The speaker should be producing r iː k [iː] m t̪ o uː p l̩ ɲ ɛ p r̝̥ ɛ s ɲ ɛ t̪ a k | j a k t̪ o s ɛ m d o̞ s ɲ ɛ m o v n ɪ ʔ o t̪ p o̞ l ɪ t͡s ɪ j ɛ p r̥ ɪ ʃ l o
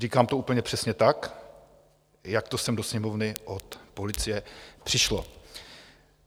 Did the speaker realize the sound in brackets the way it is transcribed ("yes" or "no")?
no